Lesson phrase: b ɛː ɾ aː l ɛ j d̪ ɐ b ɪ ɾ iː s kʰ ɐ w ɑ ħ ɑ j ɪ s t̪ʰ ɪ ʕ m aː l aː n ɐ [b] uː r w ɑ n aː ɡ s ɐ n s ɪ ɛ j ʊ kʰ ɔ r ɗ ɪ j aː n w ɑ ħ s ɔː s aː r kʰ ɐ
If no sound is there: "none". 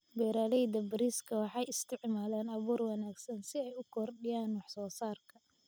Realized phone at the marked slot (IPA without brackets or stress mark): β